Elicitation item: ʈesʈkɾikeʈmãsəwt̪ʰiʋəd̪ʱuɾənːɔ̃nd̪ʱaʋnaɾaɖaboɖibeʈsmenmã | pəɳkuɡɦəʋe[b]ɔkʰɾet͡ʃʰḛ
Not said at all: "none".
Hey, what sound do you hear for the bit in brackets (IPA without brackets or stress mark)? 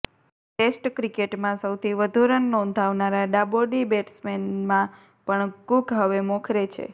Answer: m